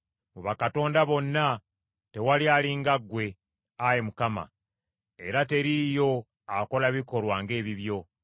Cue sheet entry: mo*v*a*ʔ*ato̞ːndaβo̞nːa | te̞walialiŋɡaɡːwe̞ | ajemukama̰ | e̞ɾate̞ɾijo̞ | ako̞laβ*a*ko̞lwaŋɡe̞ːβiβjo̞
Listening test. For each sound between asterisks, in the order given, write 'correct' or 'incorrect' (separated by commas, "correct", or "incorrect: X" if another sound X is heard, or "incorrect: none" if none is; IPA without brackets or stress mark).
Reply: incorrect: β, incorrect: k, incorrect: i